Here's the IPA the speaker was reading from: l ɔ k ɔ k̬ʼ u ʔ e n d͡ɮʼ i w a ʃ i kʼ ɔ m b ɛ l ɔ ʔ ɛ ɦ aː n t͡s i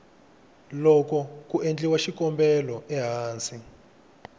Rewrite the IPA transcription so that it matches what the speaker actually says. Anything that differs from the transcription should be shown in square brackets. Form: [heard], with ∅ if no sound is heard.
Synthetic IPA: l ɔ k ɔ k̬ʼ u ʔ e n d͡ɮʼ i w a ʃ i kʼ ɔ m b ɛ l ɔ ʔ ɛ ɦ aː n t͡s i